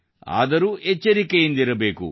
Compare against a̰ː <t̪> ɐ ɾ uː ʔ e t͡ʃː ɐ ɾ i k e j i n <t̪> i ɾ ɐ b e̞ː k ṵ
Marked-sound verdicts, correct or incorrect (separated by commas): incorrect, incorrect